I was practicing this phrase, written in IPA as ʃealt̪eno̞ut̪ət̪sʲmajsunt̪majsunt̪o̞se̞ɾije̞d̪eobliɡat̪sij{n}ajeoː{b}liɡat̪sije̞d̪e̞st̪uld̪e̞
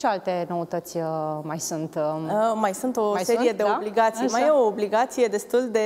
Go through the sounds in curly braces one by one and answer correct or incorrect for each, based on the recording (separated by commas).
incorrect, correct